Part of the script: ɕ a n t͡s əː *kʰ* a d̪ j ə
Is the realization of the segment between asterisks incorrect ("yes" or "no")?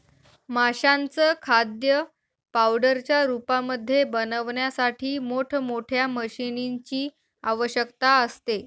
no